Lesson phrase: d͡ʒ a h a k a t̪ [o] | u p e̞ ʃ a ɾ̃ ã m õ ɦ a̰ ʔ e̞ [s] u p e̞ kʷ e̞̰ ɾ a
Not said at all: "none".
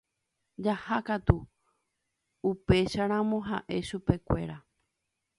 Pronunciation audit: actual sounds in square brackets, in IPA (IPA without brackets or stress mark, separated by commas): u, ʃ